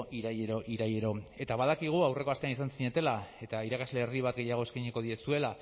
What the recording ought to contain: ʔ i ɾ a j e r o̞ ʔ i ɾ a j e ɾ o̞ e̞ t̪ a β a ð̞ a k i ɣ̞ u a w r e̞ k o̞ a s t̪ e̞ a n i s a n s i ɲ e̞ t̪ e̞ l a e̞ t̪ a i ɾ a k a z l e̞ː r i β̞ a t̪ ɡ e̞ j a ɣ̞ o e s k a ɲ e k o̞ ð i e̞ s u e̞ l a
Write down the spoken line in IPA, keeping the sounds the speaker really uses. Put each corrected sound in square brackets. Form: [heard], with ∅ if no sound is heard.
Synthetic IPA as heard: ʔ i ɾ a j e [ɾ] o̞ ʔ i ɾ a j e ɾ o̞ e̞ t̪ a β a ð̞ a k i ɣ̞ u a w r e̞ k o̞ a s t̪ e̞ a n i s a n s i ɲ e̞ t̪ e̞ l a e̞ t̪ a i ɾ a k a z l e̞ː r i β̞ a t̪ ɡ e̞ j a ɣ̞ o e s k a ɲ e k o̞ ð i e̞ s u e̞ l a